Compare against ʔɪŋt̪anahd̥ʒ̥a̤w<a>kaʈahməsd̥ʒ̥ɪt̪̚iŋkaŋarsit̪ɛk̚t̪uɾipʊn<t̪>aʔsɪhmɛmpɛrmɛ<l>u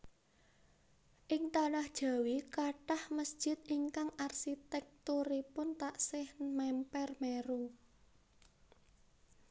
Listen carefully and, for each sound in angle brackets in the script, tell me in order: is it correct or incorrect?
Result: incorrect: i, correct, incorrect: ɾ

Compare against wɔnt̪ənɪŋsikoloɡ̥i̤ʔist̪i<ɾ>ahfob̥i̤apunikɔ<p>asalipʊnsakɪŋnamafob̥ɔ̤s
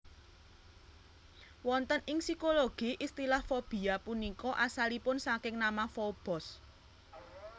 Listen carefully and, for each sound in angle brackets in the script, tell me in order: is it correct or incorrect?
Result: incorrect: l, incorrect: ʔ

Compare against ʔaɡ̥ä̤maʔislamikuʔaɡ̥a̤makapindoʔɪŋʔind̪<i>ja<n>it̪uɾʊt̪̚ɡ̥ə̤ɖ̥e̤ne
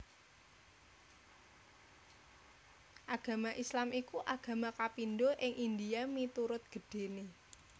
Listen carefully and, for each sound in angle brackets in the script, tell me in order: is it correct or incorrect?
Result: correct, incorrect: m

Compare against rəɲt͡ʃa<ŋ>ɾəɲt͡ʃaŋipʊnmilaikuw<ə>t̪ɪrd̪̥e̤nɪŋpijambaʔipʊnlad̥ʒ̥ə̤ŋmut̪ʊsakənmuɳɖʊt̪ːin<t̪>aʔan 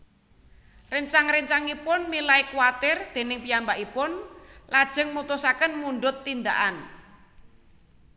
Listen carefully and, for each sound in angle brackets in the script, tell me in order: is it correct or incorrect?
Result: correct, incorrect: a, incorrect: d̪

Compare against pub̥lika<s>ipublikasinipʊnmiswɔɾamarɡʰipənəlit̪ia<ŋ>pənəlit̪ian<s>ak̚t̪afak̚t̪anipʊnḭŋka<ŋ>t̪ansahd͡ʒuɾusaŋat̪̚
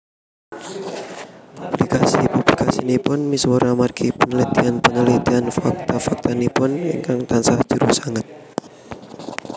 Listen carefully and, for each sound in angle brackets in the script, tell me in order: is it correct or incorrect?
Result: correct, incorrect: n, incorrect: f, correct

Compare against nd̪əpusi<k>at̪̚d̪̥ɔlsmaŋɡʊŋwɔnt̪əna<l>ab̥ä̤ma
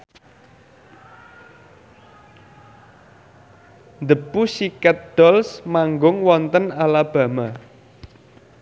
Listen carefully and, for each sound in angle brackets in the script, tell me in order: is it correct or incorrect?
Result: correct, correct

